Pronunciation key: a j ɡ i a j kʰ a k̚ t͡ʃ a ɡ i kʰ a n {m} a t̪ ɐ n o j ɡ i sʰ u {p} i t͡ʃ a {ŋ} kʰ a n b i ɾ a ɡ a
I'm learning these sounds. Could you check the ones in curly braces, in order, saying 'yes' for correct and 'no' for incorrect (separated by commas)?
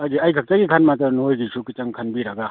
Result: yes, no, yes